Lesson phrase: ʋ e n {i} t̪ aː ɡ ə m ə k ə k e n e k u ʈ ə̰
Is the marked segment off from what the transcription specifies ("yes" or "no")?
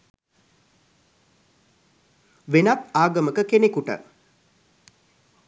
yes